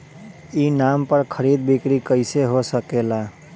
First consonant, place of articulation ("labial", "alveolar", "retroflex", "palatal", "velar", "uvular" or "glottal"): alveolar